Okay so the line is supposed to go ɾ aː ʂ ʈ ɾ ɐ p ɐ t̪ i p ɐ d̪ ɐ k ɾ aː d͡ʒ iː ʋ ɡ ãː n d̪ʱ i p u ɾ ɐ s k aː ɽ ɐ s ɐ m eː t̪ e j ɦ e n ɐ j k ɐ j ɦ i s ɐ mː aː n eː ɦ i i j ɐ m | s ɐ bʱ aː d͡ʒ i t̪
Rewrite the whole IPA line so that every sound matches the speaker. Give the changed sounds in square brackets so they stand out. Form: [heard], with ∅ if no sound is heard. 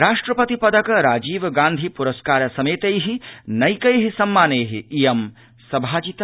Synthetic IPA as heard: ɾ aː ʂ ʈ ɾ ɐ p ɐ t̪ i p ɐ d̪ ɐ k ɾ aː d͡ʒ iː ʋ ɡ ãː n d̪ʱ i p u ɾ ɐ s k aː [ɾ] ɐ s ɐ m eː t̪ e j ɦ [i] n ɐ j k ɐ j ɦ i s ɐ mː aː n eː ɦ i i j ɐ m | s ɐ bʱ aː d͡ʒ i t̪